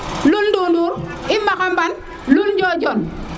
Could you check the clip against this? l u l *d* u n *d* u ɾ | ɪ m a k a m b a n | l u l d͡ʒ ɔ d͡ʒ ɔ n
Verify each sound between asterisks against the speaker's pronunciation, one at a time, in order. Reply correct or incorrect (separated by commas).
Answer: correct, correct